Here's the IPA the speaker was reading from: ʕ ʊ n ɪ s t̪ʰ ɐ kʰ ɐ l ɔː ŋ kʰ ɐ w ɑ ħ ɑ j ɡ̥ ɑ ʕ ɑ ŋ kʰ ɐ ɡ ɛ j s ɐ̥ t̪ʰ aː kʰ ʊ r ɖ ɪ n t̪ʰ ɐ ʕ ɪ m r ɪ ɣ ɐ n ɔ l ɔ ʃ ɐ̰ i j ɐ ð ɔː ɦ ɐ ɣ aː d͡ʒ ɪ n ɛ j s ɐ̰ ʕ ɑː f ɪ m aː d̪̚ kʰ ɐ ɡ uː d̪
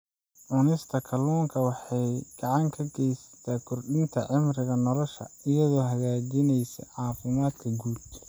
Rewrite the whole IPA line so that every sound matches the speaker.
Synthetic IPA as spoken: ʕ ʊ n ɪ s t̪ʰ ɐ kʰ ɐ l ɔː ŋ kʰ ɐ w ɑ ħ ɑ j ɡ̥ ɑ ʕ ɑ ŋ kʰ ɐ ɡ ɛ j s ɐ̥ t̪ʰ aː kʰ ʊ r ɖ ɪ n t̪ʰ ɐ ʕ ɪ m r ɪ ɣ ɐ n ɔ l ɔ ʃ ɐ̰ ɪ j ɐ ð ɔː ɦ ɐ ɣ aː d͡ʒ ɪ n ɛ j s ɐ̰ ʕ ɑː f ɪ m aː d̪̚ kʰ ɐ ɡ uː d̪

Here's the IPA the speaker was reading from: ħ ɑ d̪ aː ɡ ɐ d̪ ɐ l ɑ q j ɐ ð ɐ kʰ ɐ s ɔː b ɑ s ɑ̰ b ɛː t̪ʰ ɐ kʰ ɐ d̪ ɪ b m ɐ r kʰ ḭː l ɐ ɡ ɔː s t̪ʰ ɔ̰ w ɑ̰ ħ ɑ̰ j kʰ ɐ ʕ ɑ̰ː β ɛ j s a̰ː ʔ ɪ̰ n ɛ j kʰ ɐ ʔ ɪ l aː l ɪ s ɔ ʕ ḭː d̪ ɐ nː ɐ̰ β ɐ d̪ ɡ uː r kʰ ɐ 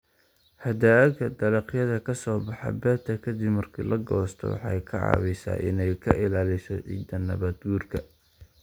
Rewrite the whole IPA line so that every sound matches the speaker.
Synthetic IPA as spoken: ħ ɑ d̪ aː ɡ ɐ d̪ ɐ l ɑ q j ɐ ð ɐ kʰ ɐ s ɔː b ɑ ħ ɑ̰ b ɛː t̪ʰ ɐ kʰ ɐ d̪ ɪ b m ɐ r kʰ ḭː l ɐ ɡ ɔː s t̪ʰ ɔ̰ w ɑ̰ ħ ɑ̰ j kʰ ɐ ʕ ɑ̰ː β ɛ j s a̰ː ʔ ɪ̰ n ɛ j kʰ ɐ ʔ ɪ l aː l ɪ s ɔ ʕ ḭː d̪ ɐ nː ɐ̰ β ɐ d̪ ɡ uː r kʰ ɐ

